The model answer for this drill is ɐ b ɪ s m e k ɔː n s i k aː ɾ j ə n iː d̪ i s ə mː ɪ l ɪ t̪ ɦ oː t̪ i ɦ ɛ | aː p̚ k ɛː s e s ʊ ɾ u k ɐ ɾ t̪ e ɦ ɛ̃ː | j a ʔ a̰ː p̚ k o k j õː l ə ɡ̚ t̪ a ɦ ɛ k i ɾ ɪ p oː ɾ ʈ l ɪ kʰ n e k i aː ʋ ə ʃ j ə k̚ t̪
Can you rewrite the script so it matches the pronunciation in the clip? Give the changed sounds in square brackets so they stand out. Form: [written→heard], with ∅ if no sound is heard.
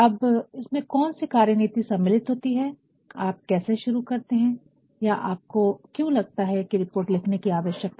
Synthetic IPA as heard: ɐ b ɪ s m [e→ẽ] k ɔː n s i k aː ɾ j ə n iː [d̪→t̪] i s [ə→ɐ] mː ɪ l ɪ t̪ ɦ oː t̪ i ɦ ɛ | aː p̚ k ɛː s e [s→ʃ] ʊ ɾ u k ɐ ɾ t̪ e ɦ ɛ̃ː | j a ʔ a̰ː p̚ k o k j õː l [ə→ɐ] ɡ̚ t̪ a ɦ ɛ k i ɾ ɪ p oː ɾ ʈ l ɪ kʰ n e k i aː ʋ ə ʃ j ə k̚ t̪